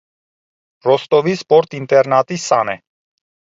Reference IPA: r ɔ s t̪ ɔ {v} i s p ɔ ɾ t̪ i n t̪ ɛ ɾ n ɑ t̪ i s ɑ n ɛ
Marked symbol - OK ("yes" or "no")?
yes